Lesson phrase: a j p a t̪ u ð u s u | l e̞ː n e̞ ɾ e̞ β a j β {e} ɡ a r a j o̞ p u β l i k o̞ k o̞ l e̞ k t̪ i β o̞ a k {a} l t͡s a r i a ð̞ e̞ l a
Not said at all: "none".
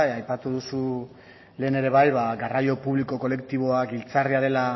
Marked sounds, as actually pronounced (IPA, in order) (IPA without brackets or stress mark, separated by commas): a, i